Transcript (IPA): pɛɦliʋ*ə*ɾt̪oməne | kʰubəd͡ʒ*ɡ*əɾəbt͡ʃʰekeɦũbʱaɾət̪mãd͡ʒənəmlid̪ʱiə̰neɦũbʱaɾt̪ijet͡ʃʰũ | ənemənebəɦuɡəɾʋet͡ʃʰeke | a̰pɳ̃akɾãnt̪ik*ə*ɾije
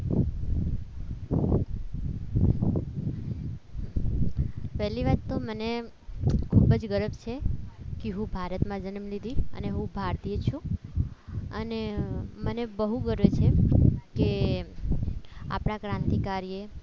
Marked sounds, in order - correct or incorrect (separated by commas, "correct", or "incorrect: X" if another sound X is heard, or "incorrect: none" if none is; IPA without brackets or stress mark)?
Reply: incorrect: a, correct, incorrect: a